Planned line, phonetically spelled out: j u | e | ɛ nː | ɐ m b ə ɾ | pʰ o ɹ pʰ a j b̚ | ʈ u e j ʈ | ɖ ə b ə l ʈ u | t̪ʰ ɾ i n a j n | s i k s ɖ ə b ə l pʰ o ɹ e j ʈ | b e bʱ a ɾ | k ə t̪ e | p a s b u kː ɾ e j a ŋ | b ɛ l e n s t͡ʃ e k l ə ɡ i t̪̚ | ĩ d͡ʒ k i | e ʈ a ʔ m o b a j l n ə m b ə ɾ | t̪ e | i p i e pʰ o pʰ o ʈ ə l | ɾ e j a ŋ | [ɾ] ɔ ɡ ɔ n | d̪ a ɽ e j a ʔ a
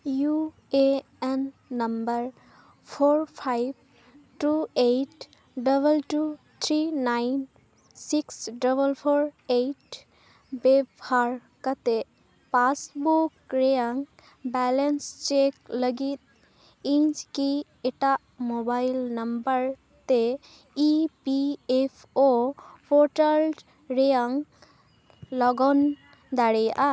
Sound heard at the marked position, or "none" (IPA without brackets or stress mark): l